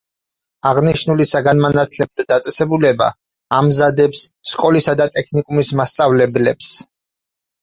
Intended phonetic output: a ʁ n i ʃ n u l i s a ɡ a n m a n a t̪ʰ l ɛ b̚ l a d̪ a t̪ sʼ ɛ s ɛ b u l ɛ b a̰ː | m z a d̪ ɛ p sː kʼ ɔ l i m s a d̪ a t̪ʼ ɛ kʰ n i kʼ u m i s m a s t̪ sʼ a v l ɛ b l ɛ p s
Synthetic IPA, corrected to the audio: a ʁ n i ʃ n u l i s a ɡ a n m a n a t̪ʰ l ɛ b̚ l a d̪ a t̪ sʼ ɛ s ɛ b u l ɛ b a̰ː | m z a d̪ ɛ p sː kʼ ɔ l i s a d̪ a t̪ʼ ɛ kʰ n i kʼ u m i s m a s t̪ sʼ a v l ɛ b l ɛ p s